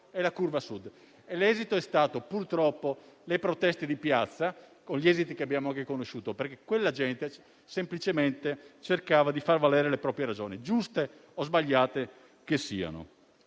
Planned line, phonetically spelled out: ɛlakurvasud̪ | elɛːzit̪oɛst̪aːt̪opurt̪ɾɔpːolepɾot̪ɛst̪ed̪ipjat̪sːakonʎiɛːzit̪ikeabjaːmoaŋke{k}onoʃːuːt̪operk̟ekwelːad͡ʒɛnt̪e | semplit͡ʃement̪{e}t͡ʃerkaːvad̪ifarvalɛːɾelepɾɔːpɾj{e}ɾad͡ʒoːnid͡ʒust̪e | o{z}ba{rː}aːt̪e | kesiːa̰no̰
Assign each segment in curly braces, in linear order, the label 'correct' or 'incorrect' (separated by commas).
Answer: correct, correct, correct, correct, incorrect